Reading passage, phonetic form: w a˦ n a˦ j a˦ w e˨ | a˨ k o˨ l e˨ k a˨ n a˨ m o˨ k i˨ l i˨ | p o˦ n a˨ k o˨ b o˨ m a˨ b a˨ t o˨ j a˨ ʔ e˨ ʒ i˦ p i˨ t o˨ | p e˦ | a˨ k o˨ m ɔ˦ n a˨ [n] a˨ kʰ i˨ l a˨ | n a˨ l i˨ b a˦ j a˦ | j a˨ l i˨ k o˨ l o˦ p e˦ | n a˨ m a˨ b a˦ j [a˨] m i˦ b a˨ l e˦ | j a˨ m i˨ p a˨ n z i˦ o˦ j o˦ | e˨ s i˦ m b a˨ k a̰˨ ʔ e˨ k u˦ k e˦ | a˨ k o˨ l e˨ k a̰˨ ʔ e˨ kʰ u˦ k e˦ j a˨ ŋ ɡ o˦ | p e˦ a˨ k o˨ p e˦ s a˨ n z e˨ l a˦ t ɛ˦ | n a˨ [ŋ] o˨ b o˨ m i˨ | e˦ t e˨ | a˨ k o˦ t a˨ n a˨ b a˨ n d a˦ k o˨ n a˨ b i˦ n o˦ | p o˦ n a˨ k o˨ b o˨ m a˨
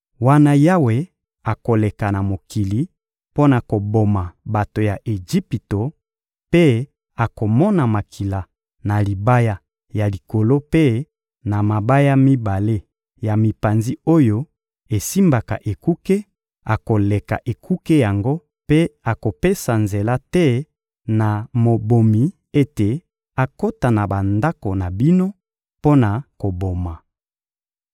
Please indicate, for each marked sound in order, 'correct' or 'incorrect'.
incorrect: m, incorrect: a˦, incorrect: m

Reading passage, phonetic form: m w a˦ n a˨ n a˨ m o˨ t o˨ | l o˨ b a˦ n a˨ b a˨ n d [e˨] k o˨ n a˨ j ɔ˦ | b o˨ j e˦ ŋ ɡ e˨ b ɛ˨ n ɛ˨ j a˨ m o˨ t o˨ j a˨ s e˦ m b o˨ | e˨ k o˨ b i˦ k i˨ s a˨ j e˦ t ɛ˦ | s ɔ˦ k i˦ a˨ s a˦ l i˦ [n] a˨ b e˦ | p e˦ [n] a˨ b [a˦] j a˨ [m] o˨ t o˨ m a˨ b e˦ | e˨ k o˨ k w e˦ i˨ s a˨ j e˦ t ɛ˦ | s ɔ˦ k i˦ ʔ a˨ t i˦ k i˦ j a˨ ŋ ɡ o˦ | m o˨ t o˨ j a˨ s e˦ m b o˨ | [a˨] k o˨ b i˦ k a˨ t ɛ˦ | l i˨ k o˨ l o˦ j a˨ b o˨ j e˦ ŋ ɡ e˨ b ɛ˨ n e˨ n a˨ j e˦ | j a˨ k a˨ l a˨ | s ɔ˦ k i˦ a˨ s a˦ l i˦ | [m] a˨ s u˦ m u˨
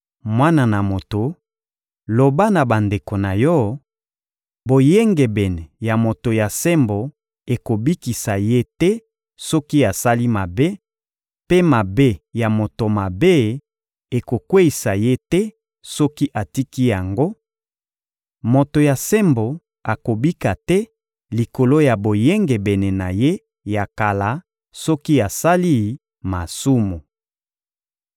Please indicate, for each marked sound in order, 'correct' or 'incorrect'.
correct, incorrect: m, incorrect: m, incorrect: e˦, correct, correct, correct

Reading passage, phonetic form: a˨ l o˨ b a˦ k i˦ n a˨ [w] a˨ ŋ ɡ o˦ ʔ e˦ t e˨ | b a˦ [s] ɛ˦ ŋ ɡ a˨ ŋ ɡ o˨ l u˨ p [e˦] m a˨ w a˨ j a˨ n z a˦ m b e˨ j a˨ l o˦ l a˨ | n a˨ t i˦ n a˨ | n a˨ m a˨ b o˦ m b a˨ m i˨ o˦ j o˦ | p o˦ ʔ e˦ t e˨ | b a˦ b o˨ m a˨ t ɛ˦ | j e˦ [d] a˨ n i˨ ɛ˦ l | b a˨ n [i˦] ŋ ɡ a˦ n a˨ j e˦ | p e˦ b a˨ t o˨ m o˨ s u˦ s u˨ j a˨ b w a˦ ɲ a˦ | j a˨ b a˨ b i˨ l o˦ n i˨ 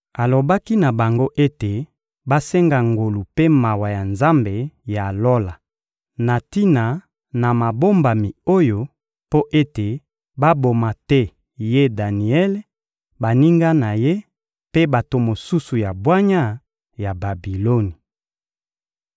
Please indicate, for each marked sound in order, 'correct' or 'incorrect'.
incorrect: b, correct, correct, correct, correct

